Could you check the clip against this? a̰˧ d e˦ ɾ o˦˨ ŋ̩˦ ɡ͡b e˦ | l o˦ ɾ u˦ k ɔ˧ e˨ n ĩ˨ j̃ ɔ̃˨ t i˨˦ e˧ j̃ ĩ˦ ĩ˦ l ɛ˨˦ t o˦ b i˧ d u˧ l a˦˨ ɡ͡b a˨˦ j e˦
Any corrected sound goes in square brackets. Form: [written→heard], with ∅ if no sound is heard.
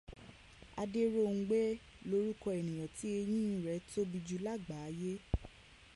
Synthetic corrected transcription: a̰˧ d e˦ ɾ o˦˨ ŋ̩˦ ɡ͡b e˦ | l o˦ ɾ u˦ k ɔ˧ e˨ n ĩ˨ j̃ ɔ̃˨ t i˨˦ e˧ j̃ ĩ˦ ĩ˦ [l→ɾ] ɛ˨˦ t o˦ b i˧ [d→d͡ʒ] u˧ l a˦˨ ɡ͡b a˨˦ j e˦